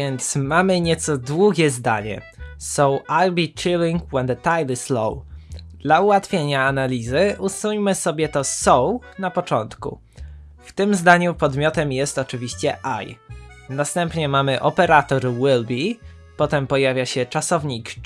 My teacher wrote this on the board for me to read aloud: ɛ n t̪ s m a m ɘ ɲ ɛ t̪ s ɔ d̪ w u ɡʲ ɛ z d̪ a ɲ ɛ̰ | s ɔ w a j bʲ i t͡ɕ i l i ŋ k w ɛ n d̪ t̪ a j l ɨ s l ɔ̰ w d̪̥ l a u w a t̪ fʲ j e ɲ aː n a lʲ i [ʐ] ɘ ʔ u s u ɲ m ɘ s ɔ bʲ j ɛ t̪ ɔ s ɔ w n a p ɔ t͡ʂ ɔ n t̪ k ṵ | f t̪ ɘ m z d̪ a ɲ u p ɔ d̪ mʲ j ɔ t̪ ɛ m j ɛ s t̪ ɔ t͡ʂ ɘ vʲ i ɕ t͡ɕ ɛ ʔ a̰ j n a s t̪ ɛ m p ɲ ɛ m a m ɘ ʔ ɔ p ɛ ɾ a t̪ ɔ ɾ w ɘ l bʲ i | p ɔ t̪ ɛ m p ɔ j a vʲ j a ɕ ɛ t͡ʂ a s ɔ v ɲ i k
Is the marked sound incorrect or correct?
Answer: incorrect: z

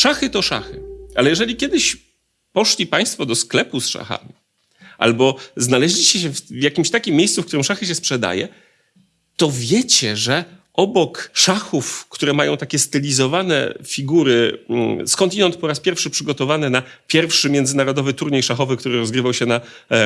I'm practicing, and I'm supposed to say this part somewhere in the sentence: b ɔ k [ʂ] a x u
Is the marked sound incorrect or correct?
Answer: correct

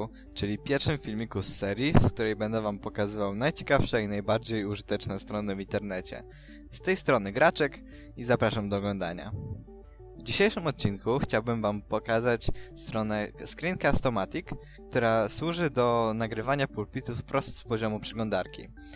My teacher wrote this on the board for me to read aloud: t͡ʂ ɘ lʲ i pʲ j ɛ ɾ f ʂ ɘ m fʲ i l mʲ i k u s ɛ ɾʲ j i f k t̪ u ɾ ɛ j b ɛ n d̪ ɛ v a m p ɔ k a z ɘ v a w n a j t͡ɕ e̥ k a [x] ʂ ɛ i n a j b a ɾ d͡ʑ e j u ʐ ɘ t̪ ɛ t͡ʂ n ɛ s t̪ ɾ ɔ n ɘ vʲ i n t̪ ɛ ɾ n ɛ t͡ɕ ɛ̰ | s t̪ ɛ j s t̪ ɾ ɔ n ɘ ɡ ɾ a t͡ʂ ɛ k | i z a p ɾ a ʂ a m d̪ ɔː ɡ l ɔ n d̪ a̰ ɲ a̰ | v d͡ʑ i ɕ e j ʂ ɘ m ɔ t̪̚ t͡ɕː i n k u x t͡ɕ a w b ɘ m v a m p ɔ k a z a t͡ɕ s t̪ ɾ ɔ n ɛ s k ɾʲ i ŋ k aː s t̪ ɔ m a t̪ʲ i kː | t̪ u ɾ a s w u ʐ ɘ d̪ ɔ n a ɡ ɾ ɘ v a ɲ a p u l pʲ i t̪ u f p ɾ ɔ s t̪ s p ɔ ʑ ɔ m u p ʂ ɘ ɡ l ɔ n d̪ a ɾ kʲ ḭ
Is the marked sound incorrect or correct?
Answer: incorrect: f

